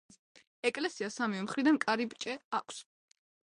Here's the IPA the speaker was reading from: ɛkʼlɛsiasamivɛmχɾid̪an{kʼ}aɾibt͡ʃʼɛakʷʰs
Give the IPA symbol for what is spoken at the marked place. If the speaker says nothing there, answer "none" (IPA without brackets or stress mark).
kʼ